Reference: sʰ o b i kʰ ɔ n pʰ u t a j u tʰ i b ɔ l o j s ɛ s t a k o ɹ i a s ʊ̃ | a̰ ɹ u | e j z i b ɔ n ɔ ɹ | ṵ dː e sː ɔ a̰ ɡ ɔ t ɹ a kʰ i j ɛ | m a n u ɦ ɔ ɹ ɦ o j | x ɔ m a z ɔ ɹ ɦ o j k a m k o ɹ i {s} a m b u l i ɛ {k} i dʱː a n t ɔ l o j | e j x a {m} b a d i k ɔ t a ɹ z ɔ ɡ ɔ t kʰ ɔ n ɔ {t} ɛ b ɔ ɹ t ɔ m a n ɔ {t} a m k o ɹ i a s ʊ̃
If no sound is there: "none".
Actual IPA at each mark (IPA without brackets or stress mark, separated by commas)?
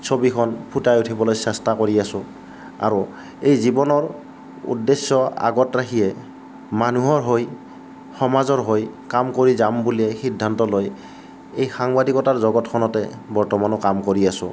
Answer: z, x, ŋ, t, k